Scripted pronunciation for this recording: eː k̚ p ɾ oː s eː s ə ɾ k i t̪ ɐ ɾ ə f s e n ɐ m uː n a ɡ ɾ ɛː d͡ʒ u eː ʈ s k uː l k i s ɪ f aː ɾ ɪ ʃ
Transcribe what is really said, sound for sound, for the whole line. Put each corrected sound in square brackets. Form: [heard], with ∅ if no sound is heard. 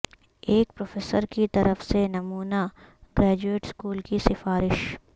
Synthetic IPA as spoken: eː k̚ p ɾ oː [f] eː s ə ɾ k i t̪ ɐ ɾ ə f s e n ɐ m uː n a ɡ ɾ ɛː d͡ʒ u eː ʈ s k uː l k i s ɪ f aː ɾ ɪ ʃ